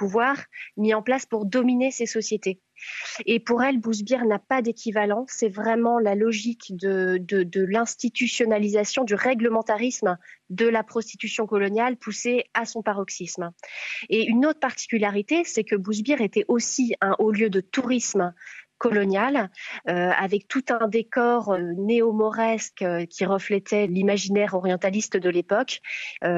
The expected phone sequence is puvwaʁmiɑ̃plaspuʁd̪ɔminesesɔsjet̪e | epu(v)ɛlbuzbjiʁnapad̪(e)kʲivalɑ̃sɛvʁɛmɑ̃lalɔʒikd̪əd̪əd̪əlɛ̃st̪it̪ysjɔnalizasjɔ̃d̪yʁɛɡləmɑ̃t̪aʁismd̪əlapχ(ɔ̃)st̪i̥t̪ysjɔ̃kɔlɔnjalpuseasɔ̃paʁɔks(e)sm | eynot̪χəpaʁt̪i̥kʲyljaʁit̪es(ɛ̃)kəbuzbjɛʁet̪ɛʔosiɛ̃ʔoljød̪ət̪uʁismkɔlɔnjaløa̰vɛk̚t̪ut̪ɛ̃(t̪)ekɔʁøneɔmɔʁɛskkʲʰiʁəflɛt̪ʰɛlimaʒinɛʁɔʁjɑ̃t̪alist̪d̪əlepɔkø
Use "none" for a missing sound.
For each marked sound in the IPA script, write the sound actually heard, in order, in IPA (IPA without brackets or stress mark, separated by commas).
ʁ, e, ɔ, i, ɛ, d̪